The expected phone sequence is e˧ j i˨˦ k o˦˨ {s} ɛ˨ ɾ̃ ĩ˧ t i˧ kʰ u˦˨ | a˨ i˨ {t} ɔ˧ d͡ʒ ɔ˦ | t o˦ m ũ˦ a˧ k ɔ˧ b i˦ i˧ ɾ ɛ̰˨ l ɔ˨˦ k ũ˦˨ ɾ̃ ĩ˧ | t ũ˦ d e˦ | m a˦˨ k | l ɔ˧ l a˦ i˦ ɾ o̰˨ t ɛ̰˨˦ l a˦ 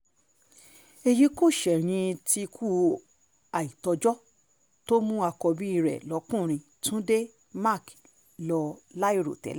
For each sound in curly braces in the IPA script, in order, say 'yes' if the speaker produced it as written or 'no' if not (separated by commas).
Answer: no, yes